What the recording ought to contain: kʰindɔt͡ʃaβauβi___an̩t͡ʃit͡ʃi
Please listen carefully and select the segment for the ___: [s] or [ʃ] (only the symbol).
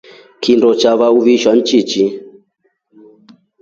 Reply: ʃ